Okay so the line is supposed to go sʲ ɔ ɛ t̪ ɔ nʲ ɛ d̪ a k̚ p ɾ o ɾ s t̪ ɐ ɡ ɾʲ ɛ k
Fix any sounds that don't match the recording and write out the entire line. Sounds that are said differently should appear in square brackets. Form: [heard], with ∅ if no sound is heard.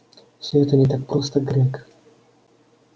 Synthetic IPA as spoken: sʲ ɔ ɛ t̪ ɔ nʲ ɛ [t̪] a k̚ p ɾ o [∅] s t̪ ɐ ɡ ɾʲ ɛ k